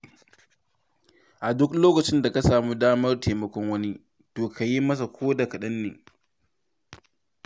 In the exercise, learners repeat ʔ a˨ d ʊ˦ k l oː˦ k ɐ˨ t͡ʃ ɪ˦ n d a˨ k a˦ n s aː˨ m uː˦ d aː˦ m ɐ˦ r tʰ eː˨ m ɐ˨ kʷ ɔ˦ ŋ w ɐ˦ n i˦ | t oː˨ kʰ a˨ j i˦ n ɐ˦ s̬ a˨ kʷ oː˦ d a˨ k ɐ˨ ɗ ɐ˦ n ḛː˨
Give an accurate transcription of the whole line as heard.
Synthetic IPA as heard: ʔ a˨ d ʊ˦ k l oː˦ k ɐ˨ t͡ʃ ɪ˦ n d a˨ k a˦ s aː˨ m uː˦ d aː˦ m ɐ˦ r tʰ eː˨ m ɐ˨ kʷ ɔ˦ ŋ w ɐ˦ n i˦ | t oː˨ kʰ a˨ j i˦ m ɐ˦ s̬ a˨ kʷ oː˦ d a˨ k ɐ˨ ɗ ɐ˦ nː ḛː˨

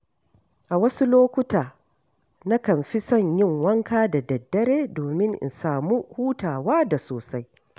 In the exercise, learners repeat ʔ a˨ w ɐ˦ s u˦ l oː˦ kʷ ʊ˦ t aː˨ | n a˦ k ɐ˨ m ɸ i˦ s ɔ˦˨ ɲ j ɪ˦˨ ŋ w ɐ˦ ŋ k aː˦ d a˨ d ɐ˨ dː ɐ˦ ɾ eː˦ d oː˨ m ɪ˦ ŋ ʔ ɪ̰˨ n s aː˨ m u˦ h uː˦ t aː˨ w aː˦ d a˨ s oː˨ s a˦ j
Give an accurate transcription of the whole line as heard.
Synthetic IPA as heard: ʔ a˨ w ɐ˦ s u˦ l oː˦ kʷ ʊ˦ t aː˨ | n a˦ k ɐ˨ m ɸ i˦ s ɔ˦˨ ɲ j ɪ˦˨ ŋ w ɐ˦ ŋ k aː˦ d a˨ d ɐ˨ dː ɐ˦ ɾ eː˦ d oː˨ m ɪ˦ ŋ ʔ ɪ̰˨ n s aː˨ m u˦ h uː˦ t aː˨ w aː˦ d a˨ s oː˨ s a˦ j

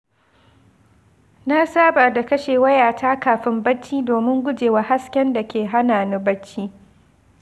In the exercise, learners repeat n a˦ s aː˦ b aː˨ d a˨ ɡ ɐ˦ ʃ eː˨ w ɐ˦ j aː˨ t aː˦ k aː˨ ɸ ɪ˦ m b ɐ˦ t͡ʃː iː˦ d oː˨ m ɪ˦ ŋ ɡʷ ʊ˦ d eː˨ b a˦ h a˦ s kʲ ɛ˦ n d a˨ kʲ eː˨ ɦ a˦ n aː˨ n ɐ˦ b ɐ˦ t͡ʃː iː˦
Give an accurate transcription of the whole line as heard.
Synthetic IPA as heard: n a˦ s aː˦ b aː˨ d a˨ k ɐ˦ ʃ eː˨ w ɐ˦ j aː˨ t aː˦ k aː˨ ɸ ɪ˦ m b ɐ˦ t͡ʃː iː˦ d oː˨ m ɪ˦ ŋ ɡʷ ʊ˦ d͡ʒ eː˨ w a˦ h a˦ s kʲ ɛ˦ n d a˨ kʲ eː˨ ɦ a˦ n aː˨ n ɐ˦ b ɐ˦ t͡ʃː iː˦

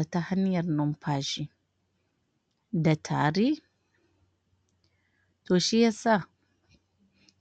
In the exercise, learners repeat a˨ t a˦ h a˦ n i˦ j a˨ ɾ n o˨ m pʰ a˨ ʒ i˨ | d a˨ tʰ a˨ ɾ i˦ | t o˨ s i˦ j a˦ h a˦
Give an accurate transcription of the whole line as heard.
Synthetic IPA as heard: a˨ t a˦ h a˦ n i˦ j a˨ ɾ n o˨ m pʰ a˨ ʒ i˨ | d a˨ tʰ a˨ ɾ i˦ | t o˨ ʃ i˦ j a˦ s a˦

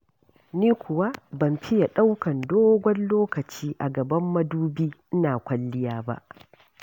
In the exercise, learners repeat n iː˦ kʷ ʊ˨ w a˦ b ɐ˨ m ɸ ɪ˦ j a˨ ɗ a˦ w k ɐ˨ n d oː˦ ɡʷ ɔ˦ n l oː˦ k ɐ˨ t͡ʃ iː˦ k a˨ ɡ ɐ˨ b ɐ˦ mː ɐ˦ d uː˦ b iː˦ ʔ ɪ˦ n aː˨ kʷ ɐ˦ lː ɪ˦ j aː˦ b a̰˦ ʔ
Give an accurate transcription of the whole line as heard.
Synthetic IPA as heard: n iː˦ kʷ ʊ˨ w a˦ b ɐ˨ m ɸ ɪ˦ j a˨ ɗ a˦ w k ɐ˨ n d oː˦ ɡʷ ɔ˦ n l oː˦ k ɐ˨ t͡ʃ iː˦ ʔ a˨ ɡ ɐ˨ b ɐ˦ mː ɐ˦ d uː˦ b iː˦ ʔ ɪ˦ n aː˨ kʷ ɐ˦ lː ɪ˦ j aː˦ b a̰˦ ʔ

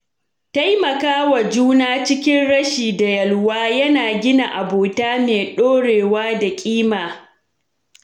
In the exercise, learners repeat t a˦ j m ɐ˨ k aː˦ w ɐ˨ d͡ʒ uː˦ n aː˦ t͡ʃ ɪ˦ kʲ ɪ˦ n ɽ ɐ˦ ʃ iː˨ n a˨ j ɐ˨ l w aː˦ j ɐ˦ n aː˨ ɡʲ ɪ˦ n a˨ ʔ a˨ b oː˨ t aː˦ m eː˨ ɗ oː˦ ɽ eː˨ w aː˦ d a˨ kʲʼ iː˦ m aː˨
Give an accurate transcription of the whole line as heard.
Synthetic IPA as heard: t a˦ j m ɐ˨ k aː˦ w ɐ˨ d͡ʒ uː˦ n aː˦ t͡ʃ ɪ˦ kʲ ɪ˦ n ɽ ɐ˦ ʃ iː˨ d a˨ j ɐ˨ l w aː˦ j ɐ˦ n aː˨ ɡʲ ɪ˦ n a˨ ʔ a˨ b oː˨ t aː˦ m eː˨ ɗ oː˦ ɽ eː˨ w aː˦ d a˨ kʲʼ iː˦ m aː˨

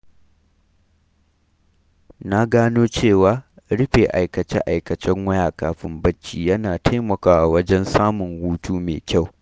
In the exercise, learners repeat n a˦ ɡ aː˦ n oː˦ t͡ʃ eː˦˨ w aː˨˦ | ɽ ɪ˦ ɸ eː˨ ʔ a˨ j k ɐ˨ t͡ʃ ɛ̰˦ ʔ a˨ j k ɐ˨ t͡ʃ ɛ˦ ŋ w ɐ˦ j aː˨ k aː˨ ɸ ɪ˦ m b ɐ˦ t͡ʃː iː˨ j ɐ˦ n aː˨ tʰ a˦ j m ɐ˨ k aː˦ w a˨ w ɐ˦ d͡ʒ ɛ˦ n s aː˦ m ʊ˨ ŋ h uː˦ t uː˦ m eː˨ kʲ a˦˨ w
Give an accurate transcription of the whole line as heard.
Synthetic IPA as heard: n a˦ ɡ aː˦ n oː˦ t͡ʃ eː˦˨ w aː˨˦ | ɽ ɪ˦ ɸ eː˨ ʔ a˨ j k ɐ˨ t͡ʃ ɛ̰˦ ʔ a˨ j k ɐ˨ t͡ʃ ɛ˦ ŋ w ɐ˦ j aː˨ k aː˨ ɸ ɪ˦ m b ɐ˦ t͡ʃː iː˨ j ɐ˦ n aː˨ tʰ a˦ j m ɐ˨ k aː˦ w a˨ w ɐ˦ d͡ʒ ɛ˦ n s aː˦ m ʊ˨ ŋ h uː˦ t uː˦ m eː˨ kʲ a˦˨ w

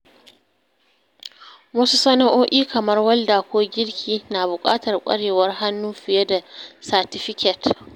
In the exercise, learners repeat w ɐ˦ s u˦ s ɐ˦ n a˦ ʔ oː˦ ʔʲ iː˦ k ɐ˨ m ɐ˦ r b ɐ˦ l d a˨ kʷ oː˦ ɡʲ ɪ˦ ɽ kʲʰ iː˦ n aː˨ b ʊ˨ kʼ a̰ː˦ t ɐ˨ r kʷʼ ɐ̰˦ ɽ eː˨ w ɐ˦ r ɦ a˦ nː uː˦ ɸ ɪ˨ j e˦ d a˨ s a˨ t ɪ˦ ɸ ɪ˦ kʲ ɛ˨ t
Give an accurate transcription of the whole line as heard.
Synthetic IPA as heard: w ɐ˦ s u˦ s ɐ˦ n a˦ ʔ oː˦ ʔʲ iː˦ k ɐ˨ m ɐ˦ r w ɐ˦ l d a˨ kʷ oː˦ ɡʲ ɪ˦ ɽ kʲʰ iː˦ n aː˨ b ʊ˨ kʼ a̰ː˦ t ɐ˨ r kʷʼ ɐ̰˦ ɽ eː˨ w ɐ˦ r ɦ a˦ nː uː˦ ɸ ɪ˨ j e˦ d a˨ s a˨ t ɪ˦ ɸ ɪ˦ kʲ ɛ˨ t

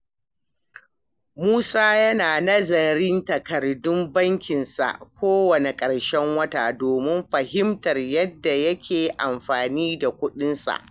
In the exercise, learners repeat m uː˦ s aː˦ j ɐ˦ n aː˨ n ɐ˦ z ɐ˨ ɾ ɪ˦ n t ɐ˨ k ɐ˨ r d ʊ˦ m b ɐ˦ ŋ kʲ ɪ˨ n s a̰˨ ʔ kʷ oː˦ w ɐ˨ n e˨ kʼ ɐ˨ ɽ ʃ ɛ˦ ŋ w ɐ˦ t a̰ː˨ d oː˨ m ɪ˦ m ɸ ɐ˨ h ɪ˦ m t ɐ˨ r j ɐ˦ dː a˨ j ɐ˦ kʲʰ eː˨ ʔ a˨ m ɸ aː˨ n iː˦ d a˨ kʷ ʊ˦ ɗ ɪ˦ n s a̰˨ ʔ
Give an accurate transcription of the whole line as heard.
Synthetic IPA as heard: m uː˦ s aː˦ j ɐ˦ n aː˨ n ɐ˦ z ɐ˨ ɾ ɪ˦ n t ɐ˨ k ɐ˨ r d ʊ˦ m b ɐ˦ ŋ kʲ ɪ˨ n s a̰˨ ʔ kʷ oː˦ w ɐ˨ n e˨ kʼ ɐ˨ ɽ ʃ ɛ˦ ŋ w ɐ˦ t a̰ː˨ d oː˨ m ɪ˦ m ɸ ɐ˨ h ɪ˦ m t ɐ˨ r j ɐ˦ dː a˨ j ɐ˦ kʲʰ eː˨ ʔ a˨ m ɸ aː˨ n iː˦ d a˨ kʷ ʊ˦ ɗ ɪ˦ n s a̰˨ ʔ

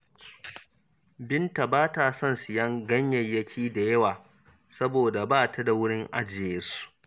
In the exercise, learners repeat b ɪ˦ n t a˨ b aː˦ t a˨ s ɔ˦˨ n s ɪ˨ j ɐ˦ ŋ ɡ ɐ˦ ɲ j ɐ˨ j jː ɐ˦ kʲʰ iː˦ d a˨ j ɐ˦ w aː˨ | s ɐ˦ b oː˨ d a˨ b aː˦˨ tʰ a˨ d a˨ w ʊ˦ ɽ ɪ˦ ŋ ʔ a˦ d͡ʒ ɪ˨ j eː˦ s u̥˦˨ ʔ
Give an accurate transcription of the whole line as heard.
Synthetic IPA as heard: b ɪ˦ n t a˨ b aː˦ t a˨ s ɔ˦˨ n s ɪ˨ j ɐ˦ ŋ ɡ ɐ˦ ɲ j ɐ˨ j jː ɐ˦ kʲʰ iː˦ d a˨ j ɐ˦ w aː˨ | s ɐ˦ b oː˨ d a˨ b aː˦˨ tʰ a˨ d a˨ w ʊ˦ ɽ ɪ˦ ŋ ʔ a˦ d͡ʒ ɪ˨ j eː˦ s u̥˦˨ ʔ

